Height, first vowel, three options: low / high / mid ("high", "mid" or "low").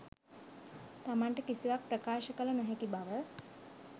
low